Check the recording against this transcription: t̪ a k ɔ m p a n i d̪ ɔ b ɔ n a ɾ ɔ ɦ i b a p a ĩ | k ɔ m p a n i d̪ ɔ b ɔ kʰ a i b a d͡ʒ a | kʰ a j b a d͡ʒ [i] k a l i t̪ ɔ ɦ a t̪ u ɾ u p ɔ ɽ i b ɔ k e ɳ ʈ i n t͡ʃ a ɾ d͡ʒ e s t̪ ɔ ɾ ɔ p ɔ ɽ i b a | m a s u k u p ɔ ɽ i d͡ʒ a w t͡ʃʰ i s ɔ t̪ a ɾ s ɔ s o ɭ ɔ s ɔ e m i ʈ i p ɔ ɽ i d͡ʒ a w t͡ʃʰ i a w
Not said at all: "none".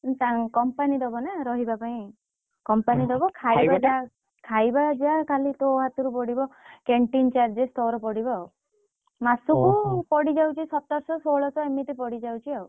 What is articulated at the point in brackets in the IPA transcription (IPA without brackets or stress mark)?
a